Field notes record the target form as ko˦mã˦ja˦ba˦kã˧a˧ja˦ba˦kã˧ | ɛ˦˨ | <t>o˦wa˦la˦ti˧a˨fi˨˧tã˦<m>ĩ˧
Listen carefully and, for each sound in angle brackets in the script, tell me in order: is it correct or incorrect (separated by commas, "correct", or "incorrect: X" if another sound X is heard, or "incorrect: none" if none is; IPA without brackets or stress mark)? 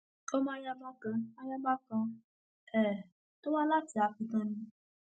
correct, incorrect: n